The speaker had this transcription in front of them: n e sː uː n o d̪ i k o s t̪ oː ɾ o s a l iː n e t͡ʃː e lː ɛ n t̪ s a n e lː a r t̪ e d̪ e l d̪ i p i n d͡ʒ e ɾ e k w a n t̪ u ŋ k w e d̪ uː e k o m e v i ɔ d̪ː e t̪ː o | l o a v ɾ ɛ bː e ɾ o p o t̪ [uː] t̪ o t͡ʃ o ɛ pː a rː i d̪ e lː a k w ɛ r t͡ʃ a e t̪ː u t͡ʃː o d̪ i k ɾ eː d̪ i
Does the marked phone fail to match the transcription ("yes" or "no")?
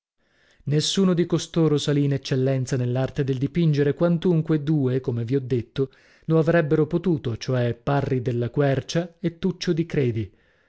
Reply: no